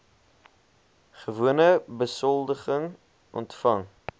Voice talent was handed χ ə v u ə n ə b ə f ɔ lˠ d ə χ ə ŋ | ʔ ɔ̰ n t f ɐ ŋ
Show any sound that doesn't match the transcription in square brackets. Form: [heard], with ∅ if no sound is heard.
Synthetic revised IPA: χ ə v u ə n ə b ə [s] ɔ lˠ d ə χ ə ŋ | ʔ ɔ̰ n t f ɐ ŋ